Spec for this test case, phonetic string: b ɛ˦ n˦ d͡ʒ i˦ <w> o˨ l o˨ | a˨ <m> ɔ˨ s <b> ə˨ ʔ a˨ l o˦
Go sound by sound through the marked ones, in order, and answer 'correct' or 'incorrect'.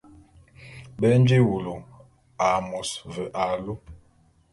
correct, correct, incorrect: v

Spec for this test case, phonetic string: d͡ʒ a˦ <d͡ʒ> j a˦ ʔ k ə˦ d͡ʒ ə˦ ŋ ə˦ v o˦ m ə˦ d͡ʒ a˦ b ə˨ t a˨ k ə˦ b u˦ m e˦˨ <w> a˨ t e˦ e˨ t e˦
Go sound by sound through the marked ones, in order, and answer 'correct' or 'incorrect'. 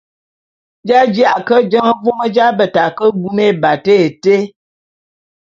correct, incorrect: b

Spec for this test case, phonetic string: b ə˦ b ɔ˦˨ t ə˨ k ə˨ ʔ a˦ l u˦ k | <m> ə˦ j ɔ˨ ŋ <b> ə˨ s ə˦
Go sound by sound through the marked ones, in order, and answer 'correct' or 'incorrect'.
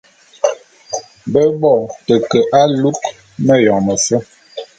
correct, incorrect: m

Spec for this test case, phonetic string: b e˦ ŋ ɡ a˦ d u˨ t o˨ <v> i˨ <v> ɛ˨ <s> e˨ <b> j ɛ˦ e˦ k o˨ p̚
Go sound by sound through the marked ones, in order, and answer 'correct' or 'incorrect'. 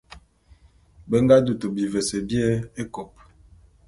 incorrect: b, correct, correct, correct

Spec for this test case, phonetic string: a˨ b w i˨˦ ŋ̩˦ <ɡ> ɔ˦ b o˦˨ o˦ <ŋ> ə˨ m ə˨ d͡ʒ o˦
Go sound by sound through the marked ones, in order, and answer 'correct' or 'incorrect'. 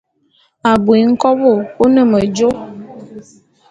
incorrect: k, incorrect: n

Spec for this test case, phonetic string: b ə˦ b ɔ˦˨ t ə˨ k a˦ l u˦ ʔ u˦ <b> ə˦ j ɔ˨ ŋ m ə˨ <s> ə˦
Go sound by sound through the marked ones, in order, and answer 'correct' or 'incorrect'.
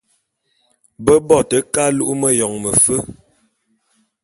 incorrect: m, incorrect: f

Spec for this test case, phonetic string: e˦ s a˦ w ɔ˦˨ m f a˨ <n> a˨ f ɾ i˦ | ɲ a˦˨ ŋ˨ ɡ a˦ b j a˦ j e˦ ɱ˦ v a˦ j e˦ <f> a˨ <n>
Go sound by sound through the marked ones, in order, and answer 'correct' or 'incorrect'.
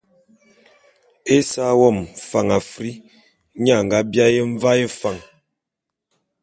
incorrect: ŋ, correct, incorrect: ŋ

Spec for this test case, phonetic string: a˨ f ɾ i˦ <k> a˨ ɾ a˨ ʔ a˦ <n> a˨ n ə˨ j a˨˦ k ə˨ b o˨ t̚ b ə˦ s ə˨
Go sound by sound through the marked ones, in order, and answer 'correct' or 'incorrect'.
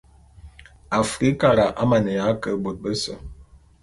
correct, incorrect: m

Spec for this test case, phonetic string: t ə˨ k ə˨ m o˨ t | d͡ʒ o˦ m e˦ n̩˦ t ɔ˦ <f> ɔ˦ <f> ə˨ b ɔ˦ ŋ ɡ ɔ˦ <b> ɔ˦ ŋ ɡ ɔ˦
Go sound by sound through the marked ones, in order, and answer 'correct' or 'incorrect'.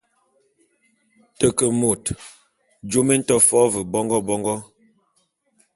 correct, incorrect: v, correct

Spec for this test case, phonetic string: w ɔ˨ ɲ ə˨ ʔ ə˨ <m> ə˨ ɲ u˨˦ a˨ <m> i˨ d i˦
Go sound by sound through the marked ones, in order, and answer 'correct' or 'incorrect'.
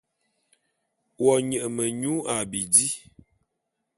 correct, incorrect: b

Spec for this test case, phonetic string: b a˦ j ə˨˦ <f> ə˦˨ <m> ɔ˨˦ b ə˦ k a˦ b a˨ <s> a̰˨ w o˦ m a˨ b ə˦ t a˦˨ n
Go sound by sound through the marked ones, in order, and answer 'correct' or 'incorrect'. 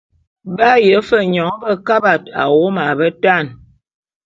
correct, incorrect: ɲ, incorrect: t

